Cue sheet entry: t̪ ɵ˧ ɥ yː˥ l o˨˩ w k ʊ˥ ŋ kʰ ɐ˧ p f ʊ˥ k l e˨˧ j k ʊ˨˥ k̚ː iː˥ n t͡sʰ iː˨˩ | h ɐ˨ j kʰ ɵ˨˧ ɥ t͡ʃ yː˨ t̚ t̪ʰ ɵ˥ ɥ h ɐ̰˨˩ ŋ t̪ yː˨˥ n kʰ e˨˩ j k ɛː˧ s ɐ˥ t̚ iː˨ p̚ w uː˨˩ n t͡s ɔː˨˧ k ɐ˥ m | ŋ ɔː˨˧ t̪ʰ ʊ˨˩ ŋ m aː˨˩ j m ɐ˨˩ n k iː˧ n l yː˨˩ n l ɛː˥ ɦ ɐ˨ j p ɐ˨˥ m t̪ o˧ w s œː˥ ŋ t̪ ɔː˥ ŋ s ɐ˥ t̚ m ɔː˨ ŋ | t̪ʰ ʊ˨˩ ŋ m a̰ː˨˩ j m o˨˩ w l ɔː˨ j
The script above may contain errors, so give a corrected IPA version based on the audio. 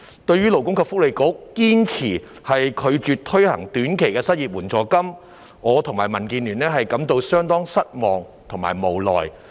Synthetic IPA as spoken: t̪ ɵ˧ ɥ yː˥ l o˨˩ w k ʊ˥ ŋ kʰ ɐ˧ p f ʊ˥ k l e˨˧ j k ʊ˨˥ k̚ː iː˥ n t͡sʰ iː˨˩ | h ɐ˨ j kʰ ɵ˨˧ ɥ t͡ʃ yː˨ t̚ t̪ʰ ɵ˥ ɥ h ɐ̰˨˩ ŋ t̪ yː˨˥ n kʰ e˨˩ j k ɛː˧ s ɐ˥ t̚ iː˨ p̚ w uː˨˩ n t͡s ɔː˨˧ k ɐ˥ m | ŋ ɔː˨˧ t̪ʰ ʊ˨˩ ŋ m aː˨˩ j m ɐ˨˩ n k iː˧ n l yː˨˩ n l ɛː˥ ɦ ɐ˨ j k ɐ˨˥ m t̪ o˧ w s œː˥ ŋ t̪ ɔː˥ ŋ s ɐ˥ t̚ m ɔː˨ ŋ | t̪ʰ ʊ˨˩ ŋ m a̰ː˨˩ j m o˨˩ w l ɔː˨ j